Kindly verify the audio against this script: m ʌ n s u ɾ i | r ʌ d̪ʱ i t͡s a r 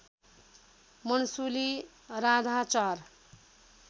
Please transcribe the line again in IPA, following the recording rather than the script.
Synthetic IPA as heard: m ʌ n s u l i | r a d̪ʱ a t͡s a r

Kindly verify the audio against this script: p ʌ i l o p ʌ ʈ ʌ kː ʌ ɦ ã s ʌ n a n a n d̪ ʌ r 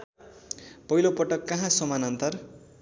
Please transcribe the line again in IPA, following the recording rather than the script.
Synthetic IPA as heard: p ʌ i l o p ʌ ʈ ʌ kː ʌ ɦ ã s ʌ m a n ʌ n t̪ ʌ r

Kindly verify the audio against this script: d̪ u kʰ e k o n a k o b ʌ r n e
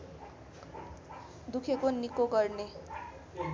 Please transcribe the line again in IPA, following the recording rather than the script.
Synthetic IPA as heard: d̪ u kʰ e k o n i k o ɡ ʌ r n e

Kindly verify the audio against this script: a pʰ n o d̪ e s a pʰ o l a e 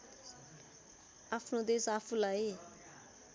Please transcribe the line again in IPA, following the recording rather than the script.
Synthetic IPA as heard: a pʰ n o d̪ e s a pʰ u l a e

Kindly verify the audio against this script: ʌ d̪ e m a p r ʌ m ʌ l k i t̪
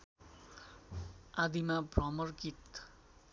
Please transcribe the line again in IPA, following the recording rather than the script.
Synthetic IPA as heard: a d̪ i m a b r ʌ m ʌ r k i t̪

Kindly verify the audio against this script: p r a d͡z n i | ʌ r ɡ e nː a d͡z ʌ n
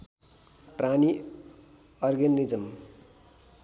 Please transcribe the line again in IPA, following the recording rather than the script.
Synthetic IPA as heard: p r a n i | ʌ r ɡ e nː i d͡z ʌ m

